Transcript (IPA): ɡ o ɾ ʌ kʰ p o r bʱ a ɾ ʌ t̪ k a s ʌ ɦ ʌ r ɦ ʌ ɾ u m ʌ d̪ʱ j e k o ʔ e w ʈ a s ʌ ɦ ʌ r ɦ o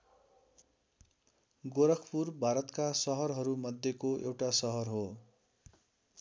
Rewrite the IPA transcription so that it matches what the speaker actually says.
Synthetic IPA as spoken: ɡ o ɾ ʌ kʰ p u r bʱ a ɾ ʌ t̪ k a s ʌ ɦ ʌ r ɦ ʌ ɾ u m ʌ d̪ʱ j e k o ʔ e w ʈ a s ʌ ɦ ʌ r ɦ o